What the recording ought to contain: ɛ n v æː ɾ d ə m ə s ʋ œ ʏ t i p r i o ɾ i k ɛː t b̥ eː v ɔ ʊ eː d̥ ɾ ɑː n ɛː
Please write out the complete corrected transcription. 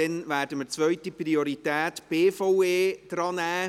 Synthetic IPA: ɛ n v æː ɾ d ə m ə t͡s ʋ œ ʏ t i p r i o ɾ i t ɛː t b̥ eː f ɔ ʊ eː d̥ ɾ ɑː n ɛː